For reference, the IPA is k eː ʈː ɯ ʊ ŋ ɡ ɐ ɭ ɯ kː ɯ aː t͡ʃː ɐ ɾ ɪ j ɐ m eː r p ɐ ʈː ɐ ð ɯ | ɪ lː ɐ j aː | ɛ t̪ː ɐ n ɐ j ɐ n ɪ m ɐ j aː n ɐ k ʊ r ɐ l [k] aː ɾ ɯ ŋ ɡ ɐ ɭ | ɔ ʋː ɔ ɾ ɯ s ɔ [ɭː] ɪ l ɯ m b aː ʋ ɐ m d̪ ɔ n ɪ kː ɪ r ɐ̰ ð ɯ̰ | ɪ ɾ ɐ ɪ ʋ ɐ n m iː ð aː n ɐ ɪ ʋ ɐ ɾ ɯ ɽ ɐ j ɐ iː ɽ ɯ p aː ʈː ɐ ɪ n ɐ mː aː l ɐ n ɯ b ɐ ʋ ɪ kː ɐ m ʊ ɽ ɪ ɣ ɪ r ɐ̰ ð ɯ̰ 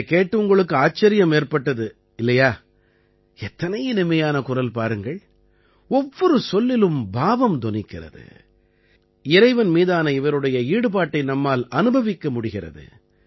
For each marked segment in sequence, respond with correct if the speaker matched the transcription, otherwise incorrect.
incorrect, incorrect

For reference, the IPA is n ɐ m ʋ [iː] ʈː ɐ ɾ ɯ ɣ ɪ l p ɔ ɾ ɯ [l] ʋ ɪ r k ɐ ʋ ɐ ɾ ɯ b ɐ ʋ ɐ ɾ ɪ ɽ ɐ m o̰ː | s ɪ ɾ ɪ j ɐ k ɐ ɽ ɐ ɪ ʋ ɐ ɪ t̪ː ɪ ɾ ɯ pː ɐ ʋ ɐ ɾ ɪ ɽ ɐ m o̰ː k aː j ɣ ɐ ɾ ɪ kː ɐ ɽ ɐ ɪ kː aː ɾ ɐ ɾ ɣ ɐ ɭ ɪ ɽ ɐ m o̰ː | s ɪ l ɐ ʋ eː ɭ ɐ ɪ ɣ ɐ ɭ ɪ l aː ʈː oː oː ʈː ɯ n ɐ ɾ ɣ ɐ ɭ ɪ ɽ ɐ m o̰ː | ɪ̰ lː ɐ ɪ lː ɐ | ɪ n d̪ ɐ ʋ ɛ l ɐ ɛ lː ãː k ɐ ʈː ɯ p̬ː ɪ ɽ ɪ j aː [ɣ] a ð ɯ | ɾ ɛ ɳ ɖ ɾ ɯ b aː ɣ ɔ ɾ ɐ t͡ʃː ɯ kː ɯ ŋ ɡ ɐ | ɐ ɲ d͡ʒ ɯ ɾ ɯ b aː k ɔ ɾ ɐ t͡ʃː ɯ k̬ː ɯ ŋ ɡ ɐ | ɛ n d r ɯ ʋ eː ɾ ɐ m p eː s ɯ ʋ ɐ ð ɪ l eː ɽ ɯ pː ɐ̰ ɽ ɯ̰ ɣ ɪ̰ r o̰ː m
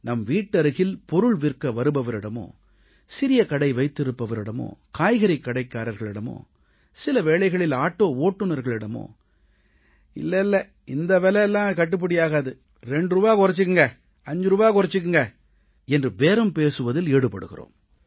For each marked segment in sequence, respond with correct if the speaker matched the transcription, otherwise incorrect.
correct, incorrect, correct

